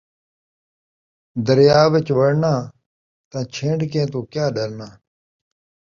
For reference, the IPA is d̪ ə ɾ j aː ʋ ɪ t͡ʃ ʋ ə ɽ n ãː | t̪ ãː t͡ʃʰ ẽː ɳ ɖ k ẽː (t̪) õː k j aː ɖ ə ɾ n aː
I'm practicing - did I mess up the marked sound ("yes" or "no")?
no